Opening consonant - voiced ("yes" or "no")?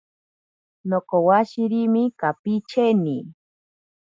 yes